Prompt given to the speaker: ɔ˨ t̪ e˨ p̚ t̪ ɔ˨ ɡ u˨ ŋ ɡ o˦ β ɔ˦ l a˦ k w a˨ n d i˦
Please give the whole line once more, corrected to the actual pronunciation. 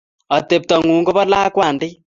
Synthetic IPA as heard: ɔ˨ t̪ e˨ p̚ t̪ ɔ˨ ŋ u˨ ŋ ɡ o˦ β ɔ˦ l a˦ k w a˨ n d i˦